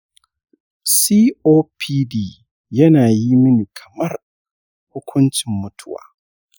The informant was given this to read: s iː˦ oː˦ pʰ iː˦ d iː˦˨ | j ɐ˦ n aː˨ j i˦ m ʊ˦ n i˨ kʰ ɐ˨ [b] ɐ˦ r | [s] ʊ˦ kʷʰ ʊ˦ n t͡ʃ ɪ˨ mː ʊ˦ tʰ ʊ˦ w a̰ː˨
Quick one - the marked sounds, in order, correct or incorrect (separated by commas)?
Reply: incorrect, incorrect